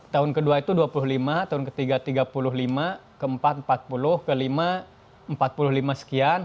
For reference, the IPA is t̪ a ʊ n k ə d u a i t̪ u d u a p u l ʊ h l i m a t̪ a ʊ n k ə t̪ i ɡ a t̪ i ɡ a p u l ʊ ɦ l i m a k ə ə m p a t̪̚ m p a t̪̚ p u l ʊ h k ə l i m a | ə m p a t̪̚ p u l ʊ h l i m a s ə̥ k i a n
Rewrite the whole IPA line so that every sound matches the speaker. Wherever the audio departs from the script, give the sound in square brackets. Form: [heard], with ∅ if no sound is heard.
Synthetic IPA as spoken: t̪ a ʊ n k ə d u a i t̪ u d u a p u l ʊ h l i m a t̪ a ʊ n k ə t̪ i ɡ a t̪ i ɡ a p u l ʊ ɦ l i m a k ə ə m p a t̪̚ m p a t̪̚ p u l ʊ h k ə l i m a | ə m p a t̪̚ p u l ʊ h l i m a s ə̥ k i a n